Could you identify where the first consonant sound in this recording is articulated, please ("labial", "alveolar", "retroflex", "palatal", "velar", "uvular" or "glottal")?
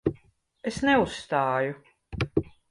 alveolar